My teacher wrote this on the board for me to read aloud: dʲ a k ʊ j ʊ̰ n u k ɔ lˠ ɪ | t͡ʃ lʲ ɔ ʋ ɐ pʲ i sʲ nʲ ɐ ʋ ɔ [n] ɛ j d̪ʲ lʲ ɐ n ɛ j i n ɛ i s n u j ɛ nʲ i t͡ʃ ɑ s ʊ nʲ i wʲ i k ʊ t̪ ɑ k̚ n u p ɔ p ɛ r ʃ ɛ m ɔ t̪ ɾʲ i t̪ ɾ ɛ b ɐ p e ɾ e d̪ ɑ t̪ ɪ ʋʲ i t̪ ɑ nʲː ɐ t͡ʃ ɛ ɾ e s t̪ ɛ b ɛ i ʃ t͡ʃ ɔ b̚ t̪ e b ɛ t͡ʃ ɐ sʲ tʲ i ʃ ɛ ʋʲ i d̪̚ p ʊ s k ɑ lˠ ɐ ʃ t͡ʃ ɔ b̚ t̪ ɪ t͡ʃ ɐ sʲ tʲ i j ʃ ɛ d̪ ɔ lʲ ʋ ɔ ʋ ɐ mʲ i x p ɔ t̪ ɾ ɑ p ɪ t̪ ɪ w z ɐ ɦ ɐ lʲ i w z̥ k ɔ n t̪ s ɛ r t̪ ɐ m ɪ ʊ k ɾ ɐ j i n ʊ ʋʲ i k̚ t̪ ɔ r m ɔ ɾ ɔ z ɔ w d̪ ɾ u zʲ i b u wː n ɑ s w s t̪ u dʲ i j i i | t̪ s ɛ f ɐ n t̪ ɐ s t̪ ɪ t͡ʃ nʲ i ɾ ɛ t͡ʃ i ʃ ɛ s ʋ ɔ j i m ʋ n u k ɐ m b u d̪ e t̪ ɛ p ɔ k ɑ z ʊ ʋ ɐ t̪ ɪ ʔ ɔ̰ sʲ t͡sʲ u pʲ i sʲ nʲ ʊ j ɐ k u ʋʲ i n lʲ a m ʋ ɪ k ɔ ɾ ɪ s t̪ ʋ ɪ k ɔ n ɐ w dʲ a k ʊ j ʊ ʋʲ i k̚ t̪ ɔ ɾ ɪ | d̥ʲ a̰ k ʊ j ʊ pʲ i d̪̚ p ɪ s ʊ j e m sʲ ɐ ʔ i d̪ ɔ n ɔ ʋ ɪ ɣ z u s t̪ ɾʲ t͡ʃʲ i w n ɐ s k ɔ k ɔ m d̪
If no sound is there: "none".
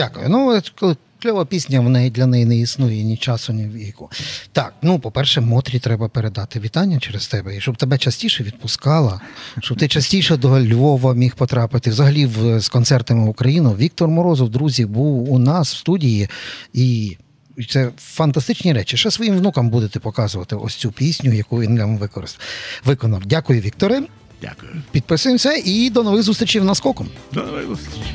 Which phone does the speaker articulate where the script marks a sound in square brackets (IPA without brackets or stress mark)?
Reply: n